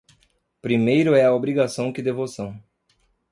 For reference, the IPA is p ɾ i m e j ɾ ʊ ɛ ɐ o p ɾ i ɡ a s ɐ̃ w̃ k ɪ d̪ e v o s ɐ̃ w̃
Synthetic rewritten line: p ɾ i m e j ɾ ʊ ɛ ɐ o b ɾ i ɡ a s ɐ̃ w̃ k ɪ d̪ e v o s ɐ̃ w̃